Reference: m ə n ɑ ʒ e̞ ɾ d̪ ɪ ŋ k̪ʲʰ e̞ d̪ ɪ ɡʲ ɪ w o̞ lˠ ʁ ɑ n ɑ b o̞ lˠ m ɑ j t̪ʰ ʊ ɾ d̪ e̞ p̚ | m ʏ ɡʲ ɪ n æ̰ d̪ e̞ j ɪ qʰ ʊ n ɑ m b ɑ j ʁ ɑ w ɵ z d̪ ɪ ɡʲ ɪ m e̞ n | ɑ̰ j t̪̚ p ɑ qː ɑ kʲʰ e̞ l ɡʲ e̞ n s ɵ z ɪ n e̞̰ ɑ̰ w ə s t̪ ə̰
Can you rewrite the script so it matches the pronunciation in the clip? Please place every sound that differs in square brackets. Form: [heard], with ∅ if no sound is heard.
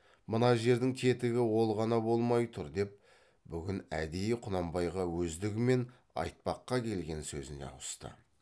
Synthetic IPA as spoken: m ə n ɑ ʒ e̞ ɾ d̪ ɪ ŋ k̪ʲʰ e̞ [t̪] ɪ ɡʲ ɪ w o̞ lˠ ʁ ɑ n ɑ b o̞ lˠ m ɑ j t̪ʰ ʊ ɾ d̪ e̞ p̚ | [b] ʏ ɡʲ ɪ n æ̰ d̪ e̞ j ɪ qʰ ʊ n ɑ m b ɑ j ʁ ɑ w ɵ z d̪ ɪ ɡʲ ɪ m e̞ n | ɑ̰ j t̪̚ p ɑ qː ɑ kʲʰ e̞ l ɡʲ e̞ n s ɵ z ɪ n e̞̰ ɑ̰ w ə s t̪ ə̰